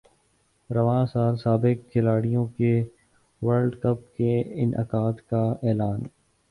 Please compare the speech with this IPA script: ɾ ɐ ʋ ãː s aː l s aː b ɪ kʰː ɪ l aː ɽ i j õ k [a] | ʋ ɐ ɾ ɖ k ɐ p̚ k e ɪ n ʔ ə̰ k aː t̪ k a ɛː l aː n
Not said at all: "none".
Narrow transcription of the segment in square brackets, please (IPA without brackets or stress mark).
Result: e